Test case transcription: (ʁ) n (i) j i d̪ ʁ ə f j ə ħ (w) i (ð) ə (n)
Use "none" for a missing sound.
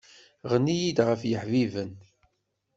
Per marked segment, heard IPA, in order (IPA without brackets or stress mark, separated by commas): ʁ, i, v, v, n